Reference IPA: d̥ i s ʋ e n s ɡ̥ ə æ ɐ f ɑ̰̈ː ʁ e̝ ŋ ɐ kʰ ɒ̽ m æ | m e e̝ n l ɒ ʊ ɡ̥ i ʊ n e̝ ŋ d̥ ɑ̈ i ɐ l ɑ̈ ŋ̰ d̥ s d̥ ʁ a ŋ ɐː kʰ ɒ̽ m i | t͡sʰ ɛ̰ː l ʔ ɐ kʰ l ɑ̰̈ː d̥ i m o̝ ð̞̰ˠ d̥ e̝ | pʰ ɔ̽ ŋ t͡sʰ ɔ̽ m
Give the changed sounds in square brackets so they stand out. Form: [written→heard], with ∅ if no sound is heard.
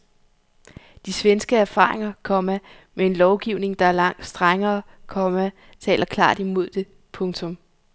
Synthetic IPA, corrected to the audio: d̥ i s ʋ e n s ɡ̥ ə æ ɐ f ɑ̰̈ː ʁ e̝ ŋ ɐ kʰ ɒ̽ m æ | m e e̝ n l ɒ ʊ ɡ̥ i ʊ n e̝ ŋ d̥ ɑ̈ [i→æ] ɐ l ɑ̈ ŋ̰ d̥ s d̥ ʁ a ŋ ɐː kʰ ɒ̽ m [i→æ] | t͡sʰ ɛ̰ː l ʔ ɐ kʰ l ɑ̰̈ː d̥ i m o̝ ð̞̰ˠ d̥ e̝ | pʰ ɔ̽ ŋ t͡sʰ ɔ̽ m